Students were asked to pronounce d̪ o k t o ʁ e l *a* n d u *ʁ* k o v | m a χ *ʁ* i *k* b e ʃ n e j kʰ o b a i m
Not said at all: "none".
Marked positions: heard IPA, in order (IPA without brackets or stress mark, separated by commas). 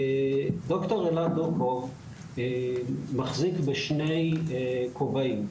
a, none, z, k